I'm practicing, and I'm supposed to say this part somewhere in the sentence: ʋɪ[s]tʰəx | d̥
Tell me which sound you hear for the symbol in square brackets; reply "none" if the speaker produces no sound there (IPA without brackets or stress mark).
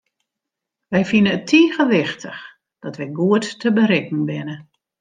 x